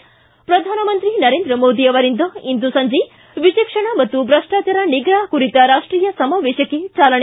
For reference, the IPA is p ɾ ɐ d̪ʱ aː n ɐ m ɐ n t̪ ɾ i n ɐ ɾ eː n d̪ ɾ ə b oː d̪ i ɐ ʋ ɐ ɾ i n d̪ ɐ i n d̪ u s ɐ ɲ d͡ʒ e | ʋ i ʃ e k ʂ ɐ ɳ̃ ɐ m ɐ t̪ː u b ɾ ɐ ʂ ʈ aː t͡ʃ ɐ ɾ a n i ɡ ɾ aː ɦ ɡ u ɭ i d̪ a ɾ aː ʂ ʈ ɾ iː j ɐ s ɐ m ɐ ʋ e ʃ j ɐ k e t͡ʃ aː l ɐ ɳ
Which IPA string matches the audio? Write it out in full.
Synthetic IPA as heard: p ɾ ɐ d̪ʱ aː n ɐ m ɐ n t̪ ɾ i n ɐ ɾ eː n d̪ ɾ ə m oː d̪ i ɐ ʋ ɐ ɾ i n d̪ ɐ i n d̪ u s ɐ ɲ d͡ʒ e | ʋ i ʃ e k ʂ ɐ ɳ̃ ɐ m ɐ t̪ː u b ɾ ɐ ʂ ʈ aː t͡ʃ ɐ ɾ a n i ɡ ɾ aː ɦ k u ɾ i t̪ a ɾ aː ʂ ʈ ɾ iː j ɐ s ɐ m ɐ ʋ e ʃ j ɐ k e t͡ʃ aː l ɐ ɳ